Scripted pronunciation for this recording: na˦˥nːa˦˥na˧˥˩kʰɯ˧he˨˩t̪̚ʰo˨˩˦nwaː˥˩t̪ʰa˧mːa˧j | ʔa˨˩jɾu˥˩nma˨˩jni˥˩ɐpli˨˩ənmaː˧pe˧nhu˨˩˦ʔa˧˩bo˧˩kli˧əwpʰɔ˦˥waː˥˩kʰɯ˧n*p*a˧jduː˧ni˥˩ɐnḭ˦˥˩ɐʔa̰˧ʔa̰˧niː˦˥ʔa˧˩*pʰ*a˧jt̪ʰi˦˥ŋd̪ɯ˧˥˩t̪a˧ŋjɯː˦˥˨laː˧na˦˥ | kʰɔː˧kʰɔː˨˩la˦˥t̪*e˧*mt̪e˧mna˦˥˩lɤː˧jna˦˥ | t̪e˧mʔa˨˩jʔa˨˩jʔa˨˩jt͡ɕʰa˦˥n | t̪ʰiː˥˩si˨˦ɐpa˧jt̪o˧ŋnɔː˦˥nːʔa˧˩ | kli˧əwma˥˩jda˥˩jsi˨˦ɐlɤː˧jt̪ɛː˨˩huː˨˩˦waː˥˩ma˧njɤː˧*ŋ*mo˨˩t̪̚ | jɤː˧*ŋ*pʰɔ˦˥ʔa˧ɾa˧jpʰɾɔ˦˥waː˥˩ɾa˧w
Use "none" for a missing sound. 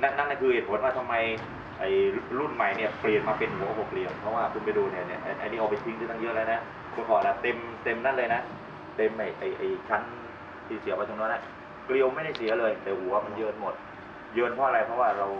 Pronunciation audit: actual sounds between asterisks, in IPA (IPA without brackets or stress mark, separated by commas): p, p, e˧, n, n